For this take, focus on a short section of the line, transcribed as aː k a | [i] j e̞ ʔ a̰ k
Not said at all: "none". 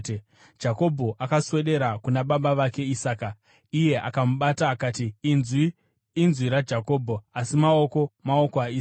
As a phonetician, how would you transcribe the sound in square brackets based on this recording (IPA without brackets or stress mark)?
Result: i